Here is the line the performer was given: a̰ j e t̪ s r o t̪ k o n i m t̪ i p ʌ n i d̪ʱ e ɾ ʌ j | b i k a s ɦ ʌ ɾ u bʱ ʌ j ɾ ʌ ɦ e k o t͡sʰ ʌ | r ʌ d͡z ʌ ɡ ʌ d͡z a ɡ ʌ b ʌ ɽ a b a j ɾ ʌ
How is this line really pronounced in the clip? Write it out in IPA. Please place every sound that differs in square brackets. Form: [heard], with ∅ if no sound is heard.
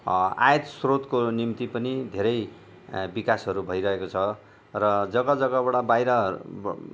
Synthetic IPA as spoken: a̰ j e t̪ s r o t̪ k o n i m t̪ i p ʌ n i d̪ʱ e ɾ ʌ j | b i k a s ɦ ʌ ɾ u bʱ ʌ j ɾ ʌ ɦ e k o t͡sʰ ʌ | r ʌ d͡z ʌ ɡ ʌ d͡z [ʌ] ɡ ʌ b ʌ ɽ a b a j ɾ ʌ